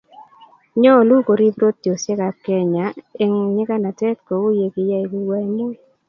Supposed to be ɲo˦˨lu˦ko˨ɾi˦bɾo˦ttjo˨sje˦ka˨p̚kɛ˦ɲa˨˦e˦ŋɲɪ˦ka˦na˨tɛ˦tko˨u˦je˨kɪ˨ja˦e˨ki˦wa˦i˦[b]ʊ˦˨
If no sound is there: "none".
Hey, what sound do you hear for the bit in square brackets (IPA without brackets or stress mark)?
m